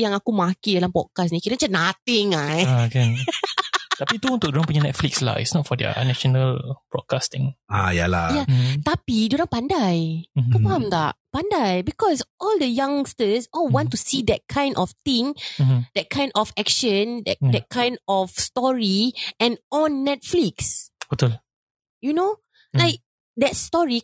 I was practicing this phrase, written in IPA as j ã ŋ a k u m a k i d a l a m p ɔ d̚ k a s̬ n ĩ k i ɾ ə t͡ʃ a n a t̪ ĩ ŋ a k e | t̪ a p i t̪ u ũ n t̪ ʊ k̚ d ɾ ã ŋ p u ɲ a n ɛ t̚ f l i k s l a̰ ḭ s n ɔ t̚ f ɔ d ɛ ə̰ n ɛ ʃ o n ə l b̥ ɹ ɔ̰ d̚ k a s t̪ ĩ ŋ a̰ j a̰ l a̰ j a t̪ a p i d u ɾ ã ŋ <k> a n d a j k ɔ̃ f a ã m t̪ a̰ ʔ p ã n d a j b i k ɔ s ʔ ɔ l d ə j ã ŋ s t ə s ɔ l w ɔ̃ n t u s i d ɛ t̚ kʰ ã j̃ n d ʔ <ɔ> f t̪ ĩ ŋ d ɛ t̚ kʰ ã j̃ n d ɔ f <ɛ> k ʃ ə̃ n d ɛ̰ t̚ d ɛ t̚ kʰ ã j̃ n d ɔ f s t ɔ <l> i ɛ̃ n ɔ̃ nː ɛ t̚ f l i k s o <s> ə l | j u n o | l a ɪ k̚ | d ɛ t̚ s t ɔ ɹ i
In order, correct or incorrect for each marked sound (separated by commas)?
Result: incorrect, correct, correct, incorrect, incorrect